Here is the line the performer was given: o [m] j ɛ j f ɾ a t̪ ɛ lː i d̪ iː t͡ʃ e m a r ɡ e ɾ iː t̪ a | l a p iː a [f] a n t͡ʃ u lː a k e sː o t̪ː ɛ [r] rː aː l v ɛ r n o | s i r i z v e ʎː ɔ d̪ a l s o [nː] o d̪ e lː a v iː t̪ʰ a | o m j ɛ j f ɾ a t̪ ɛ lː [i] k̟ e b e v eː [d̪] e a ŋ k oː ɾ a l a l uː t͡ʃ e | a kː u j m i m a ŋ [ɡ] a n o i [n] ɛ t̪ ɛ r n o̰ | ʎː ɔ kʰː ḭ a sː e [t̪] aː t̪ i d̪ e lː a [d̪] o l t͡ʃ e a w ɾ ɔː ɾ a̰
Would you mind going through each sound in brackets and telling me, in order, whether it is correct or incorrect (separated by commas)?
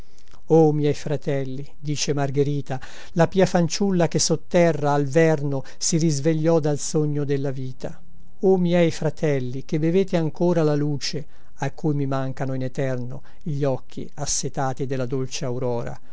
correct, correct, correct, incorrect, correct, incorrect, incorrect, correct, correct, correct